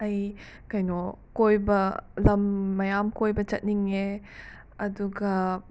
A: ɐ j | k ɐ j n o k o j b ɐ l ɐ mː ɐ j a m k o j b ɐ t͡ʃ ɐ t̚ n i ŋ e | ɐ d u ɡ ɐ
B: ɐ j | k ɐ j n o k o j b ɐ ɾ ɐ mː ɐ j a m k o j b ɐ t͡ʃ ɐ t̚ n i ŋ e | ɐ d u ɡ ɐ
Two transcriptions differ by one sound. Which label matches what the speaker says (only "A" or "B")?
A